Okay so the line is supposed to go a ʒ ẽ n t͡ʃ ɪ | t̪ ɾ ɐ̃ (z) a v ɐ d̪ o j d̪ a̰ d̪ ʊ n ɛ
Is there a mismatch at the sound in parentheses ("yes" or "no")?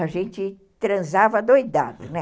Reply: no